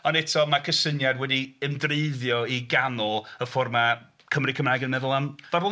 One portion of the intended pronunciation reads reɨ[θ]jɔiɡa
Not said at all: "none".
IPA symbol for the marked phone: ð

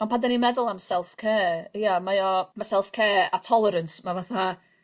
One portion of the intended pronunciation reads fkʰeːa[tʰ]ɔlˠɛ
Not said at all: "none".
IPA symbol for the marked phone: tʰ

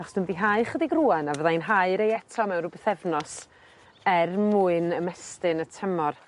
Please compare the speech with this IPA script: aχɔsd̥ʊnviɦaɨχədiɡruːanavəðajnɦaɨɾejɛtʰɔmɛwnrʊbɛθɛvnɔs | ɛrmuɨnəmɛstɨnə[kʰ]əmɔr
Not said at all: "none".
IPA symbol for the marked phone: tʰ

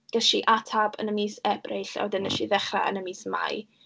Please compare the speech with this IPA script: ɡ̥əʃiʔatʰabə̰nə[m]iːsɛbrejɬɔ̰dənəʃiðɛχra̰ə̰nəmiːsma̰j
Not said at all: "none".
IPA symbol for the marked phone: m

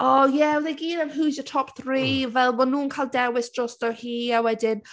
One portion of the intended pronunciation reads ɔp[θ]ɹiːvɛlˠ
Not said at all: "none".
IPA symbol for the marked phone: θ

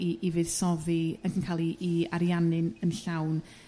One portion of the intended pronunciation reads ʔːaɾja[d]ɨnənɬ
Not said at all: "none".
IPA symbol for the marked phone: n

